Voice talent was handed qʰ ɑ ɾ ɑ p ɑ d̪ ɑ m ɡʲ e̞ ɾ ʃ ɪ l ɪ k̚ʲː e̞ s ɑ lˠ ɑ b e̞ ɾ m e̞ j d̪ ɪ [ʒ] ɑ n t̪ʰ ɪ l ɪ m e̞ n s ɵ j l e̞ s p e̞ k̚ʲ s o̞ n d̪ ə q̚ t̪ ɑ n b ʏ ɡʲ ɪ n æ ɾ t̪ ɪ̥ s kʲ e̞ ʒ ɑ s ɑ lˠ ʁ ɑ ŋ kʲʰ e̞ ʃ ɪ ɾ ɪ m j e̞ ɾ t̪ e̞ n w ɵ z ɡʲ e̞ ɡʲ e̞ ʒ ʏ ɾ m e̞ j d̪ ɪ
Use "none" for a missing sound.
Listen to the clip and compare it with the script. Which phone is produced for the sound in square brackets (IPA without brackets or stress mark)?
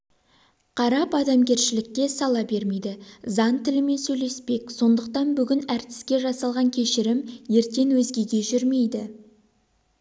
z